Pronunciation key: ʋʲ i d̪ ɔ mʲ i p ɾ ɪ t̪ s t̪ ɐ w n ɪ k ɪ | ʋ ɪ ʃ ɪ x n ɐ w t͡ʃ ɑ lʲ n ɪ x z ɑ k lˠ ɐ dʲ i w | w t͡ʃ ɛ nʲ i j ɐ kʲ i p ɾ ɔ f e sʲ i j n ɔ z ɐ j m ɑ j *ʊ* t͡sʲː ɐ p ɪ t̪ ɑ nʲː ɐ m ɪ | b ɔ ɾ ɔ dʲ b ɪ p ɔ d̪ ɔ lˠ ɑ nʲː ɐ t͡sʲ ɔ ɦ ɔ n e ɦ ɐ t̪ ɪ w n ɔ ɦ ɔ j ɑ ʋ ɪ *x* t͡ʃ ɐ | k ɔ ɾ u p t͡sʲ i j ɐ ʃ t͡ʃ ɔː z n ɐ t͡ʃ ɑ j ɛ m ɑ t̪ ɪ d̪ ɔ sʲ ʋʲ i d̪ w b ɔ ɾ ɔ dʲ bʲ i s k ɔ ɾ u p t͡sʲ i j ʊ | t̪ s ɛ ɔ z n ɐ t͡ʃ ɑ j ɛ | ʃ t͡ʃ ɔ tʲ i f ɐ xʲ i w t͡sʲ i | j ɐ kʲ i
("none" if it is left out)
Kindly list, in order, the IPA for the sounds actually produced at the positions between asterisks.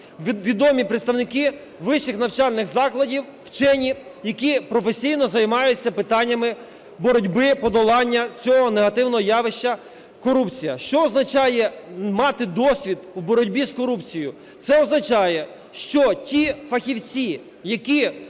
ʊ, ʃ

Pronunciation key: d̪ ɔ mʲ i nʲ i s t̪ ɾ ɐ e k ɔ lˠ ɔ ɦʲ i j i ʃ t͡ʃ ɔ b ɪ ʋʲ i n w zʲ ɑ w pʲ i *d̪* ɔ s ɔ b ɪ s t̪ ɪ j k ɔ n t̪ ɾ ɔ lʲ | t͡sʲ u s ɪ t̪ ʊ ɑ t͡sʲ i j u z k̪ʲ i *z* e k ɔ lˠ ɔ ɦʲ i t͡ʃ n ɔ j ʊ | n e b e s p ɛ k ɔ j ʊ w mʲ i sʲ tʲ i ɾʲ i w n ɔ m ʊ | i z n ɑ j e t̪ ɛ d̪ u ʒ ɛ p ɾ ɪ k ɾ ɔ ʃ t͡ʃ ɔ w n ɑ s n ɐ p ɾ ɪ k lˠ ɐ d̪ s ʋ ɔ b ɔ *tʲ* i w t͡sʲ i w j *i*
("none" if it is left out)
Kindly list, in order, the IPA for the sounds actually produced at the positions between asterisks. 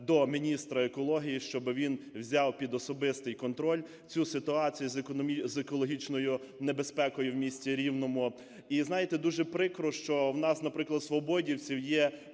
d̪, z, dʲ, ɛ

